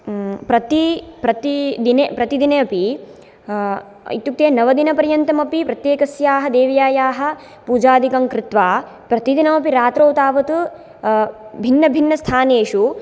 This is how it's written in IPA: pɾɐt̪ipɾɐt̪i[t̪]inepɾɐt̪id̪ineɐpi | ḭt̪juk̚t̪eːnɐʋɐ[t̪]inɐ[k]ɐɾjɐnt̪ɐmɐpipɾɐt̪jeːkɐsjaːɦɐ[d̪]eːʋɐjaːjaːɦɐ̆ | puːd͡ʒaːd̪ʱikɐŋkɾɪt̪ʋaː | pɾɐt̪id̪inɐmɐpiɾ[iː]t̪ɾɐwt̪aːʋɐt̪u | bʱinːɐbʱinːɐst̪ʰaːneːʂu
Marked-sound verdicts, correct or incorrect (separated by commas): incorrect, incorrect, incorrect, correct, incorrect